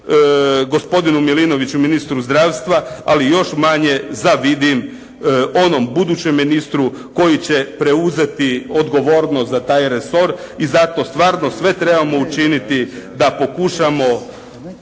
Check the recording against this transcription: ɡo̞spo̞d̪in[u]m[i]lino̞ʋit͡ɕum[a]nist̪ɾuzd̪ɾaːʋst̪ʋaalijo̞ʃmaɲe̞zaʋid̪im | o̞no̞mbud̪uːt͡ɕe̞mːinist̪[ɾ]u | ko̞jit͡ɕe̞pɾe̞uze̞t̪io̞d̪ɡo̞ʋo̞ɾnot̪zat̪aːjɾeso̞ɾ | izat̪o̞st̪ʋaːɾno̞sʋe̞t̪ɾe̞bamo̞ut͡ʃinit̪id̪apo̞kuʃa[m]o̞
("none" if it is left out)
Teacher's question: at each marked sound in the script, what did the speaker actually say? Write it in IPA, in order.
u, i, i, ɾ, m

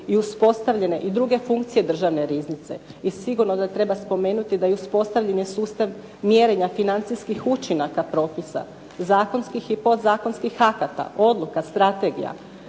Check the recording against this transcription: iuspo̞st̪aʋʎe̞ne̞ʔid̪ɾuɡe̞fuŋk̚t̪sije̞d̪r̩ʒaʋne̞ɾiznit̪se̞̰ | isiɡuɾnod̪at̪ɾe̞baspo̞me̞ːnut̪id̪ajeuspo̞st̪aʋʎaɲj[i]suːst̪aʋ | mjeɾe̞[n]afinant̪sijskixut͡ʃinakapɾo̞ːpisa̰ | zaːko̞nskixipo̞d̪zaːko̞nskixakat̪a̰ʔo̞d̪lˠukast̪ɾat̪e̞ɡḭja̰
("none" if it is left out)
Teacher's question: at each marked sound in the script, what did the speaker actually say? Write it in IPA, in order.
e, ɲ

